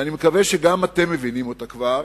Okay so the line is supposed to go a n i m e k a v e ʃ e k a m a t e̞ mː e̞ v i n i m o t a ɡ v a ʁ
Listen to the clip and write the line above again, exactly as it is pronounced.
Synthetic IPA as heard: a n i m e k a v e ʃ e ɡ a m a t e̞ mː e̞ v i n i m o t a k v a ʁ